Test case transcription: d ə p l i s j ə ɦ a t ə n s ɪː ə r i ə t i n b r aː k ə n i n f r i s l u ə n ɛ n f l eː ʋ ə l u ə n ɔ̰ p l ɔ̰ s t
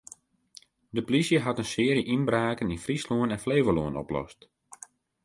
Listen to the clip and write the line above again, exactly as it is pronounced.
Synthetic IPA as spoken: d ə p l i s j ə ɦ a t ə n s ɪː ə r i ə ʔ i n b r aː k ə n i n f r i s l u ə n ɛ n f l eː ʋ ə l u ə n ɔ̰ p l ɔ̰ s t